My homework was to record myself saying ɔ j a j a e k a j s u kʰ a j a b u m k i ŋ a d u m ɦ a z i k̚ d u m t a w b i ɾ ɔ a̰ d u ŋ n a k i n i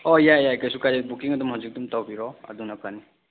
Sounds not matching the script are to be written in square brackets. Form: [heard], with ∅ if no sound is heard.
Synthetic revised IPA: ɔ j a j a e k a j s u [k] a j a b u [∅] k i ŋ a d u m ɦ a z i k̚ d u m t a w b i ɾ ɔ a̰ d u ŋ n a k [a] n i